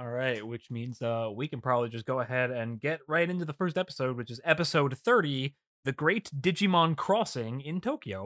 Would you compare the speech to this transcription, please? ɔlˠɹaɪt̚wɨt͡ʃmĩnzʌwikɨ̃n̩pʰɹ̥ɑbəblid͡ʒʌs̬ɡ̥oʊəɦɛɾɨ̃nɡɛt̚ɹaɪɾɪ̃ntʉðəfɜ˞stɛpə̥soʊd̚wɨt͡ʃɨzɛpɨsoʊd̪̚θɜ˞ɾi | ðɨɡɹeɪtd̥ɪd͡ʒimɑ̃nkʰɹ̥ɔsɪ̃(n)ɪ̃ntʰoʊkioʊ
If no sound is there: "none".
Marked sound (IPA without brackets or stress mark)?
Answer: ŋ